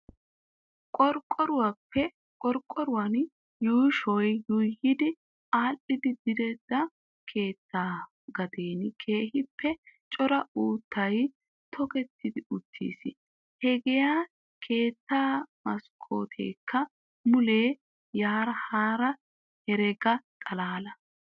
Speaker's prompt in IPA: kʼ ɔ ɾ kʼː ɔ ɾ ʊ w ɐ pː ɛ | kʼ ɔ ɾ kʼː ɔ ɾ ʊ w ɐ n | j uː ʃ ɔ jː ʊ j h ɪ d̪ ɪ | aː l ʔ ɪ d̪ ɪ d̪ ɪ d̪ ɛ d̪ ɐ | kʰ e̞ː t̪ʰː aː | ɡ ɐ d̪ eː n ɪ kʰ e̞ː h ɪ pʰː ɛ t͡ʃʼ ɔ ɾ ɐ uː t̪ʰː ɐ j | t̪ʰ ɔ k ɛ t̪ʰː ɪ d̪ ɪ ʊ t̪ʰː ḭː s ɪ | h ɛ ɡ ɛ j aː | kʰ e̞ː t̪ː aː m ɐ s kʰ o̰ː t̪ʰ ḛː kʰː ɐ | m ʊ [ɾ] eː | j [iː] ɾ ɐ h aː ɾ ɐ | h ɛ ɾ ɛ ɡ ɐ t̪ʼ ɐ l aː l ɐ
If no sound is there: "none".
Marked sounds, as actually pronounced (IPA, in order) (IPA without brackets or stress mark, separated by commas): l, aː